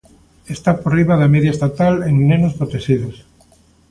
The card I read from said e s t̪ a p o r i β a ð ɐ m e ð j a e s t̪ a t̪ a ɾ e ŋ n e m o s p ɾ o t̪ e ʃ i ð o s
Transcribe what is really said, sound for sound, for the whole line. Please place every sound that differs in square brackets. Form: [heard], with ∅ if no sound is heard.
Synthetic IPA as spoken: e s t̪ a p o r i β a ð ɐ m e ð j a e s t̪ a t̪ a [l] e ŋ n e [n] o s p ɾ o t̪ e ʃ i ð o s